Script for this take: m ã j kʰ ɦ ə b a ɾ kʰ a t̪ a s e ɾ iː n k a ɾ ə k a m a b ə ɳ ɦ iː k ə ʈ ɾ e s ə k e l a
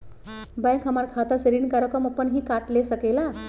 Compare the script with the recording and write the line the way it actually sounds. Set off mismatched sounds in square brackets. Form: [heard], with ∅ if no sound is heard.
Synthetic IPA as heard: [b] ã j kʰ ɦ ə [m] a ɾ kʰ a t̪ a s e ɾ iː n k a ɾ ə k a m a [p] ə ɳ ɦ iː k [a] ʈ [l] e s ə k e l a